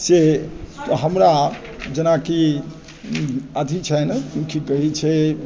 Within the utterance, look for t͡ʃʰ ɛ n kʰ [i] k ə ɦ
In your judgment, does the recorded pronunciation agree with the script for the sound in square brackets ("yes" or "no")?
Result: yes